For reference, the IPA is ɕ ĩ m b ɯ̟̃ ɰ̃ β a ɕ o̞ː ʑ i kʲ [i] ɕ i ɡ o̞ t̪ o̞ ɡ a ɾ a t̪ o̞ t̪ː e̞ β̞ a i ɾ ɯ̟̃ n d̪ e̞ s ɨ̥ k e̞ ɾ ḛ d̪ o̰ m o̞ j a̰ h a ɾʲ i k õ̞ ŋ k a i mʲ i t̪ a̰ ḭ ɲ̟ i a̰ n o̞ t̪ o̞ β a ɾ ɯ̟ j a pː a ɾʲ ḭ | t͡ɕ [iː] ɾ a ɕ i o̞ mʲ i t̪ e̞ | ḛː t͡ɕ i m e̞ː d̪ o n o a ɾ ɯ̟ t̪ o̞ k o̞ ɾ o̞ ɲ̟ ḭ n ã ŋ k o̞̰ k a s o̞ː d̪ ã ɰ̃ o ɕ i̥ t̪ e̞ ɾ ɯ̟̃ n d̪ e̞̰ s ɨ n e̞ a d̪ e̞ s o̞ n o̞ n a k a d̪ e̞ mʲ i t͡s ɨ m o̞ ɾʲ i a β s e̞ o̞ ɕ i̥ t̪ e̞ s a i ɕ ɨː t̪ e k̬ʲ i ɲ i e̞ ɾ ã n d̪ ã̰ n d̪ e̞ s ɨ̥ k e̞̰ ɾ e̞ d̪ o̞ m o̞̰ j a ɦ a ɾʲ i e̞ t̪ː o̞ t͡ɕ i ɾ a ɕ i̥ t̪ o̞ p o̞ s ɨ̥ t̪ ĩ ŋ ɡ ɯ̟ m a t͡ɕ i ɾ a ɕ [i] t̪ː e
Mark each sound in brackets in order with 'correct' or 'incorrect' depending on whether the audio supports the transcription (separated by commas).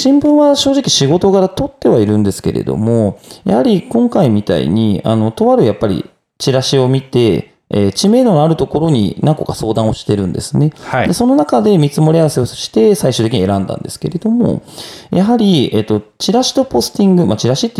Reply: correct, incorrect, correct